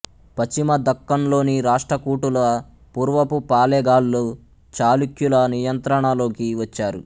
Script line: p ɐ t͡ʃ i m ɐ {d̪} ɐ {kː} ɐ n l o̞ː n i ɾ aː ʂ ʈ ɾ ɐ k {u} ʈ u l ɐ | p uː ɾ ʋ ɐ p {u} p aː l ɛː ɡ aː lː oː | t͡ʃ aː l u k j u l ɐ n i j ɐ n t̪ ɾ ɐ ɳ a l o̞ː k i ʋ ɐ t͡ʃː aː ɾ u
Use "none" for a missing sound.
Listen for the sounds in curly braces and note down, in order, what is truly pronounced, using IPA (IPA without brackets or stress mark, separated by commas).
d̪, kː, uː, u